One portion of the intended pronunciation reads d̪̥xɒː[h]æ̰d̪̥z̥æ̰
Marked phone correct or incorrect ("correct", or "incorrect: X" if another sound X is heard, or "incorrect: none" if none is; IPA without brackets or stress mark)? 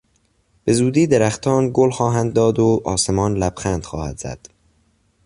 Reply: correct